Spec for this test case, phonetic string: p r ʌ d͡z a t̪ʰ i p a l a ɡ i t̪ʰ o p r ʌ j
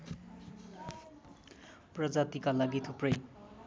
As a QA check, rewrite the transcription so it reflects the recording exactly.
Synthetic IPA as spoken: p r ʌ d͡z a t̪ i k a l a ɡ i t̪ʰ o p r ʌ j